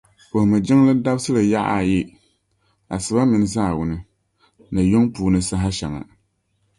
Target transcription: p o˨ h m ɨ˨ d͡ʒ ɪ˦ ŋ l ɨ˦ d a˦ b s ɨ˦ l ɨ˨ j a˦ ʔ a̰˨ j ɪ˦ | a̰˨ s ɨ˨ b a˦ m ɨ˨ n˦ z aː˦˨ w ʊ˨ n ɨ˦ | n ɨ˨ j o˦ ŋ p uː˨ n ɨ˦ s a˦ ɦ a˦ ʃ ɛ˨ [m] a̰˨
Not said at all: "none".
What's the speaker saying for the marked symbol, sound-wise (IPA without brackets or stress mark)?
ŋ